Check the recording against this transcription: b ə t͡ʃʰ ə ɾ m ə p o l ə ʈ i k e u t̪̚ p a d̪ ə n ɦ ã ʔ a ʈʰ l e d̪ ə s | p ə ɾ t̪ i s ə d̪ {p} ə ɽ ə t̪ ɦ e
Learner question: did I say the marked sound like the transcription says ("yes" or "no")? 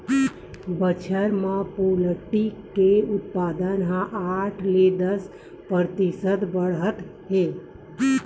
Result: no